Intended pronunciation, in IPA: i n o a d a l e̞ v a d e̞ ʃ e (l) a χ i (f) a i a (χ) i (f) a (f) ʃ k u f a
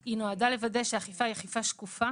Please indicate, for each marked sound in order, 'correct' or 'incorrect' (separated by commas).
incorrect, correct, correct, correct, incorrect